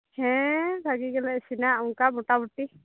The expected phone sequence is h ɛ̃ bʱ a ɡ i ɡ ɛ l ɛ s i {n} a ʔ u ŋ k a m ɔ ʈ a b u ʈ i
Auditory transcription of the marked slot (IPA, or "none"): n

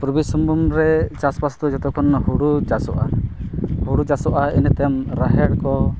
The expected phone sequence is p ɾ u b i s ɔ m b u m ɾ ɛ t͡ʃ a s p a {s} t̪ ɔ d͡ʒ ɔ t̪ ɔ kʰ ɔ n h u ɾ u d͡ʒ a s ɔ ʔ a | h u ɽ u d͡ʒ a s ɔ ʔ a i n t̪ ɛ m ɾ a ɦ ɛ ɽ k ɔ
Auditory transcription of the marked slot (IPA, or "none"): s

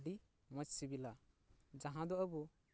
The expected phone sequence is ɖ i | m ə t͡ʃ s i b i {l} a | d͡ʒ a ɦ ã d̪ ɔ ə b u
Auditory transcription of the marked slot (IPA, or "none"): l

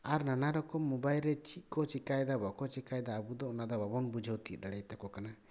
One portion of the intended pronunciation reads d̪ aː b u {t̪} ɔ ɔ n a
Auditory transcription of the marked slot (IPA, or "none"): d̪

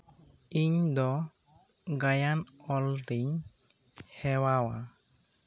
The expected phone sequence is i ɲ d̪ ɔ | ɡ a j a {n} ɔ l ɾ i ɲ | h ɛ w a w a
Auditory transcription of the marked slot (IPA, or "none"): n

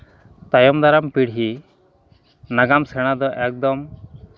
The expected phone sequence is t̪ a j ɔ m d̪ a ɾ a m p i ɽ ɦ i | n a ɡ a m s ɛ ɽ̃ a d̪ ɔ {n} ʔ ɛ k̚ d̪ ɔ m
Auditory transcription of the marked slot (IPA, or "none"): none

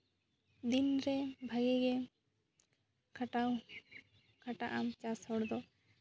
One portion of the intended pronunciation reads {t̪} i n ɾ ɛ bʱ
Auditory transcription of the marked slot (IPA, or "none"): d̪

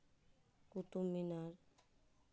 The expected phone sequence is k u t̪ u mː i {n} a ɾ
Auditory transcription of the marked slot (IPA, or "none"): n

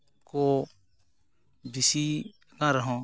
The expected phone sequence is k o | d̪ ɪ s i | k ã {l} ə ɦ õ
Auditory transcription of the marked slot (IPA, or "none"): ɾ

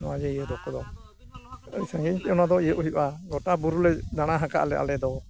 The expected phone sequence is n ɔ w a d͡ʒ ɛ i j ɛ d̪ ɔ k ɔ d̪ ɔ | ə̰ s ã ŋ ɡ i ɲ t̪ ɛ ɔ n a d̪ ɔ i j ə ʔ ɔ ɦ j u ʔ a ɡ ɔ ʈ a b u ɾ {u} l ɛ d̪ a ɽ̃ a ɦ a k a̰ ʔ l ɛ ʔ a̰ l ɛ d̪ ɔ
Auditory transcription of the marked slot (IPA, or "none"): u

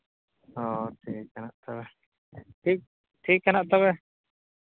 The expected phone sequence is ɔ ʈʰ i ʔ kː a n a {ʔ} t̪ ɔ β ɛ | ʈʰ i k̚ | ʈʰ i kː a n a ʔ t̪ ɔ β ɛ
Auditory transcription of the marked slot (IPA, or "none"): ʔ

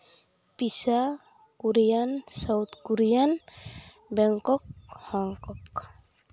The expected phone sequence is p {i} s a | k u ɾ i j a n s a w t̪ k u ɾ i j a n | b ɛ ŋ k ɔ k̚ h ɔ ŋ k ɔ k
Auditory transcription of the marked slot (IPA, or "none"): i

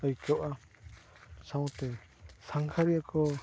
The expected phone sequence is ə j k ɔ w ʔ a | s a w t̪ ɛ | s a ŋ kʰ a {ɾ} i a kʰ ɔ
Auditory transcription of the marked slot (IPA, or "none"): ɾ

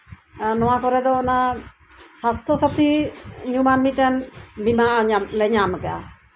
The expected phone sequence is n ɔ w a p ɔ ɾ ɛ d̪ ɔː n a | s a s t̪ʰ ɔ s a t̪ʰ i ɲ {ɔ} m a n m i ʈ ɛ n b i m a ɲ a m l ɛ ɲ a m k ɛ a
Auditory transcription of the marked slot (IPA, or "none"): u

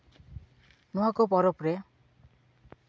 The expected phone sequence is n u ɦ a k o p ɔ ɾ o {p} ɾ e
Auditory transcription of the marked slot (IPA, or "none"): p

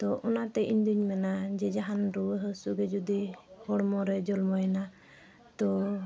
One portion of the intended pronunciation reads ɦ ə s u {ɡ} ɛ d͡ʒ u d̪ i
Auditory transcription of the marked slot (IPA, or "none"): ɡ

